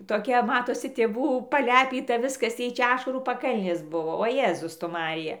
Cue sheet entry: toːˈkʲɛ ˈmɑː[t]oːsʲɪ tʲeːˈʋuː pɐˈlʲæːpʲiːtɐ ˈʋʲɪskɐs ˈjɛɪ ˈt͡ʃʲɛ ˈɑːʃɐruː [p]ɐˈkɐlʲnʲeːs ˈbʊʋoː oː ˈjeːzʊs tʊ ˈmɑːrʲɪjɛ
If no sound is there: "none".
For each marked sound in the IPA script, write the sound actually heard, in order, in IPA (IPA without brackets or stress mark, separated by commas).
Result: t, p